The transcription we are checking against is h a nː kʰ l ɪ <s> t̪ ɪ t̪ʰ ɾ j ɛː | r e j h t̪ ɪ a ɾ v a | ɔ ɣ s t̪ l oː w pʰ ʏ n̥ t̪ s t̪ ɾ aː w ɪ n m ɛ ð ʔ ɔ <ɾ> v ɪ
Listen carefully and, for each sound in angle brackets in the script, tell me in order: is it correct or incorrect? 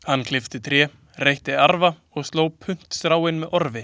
incorrect, correct

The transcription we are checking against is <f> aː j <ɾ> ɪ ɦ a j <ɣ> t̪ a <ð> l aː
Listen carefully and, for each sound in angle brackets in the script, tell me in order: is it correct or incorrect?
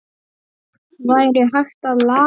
incorrect, correct, incorrect, correct

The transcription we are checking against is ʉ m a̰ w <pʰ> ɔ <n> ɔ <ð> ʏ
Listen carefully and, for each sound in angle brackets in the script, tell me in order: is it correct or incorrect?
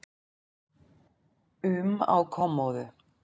incorrect, incorrect, correct

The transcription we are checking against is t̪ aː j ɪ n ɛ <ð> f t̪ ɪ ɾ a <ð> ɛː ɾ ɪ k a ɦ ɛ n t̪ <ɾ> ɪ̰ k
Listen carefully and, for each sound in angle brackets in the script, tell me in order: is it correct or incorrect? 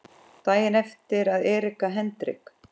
incorrect, correct, correct

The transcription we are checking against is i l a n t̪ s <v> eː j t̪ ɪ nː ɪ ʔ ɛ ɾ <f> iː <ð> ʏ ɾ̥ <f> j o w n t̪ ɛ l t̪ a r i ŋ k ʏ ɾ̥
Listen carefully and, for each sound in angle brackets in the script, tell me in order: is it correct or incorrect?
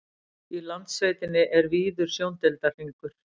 correct, incorrect, correct, incorrect

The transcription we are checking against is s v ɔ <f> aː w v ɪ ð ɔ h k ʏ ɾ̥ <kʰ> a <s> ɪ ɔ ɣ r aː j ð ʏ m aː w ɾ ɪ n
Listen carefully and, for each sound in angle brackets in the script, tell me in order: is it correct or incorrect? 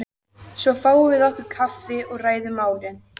correct, correct, incorrect

